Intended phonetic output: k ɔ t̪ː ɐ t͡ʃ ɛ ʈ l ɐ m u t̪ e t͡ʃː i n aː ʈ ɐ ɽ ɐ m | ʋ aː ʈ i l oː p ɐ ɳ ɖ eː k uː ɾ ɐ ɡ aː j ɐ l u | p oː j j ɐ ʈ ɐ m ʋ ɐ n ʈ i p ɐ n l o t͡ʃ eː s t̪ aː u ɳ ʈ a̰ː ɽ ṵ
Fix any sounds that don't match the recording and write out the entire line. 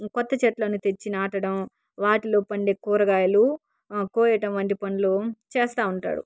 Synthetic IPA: k ɔ t̪ː ɐ t͡ʃ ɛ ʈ l ɐ n u t̪ e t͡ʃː i n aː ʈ ɐ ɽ ɐ m | ʋ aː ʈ i l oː p ɐ ɳ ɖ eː k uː ɾ ɐ ɡ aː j ɐ l u | k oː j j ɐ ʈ ɐ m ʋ ɐ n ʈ i p ɐ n l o t͡ʃ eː s t̪ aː u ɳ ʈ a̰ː ɽ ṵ